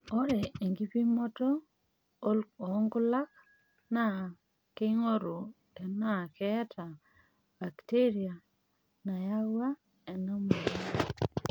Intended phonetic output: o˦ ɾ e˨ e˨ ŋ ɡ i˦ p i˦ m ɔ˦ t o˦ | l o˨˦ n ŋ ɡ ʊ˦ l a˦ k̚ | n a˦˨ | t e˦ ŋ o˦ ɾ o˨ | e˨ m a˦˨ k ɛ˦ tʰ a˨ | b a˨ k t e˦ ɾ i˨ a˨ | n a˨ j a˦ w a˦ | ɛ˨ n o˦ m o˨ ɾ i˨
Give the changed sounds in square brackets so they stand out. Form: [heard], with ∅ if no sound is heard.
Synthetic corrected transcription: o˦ ɾ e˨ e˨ ŋ ɡ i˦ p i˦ m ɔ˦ t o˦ | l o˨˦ [∅] ŋ ɡ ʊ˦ l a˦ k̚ | n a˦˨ | [k] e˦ ŋ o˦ ɾ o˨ | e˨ [n] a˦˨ k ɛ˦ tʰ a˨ | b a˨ k t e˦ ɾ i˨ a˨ | n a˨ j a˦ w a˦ | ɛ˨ n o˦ m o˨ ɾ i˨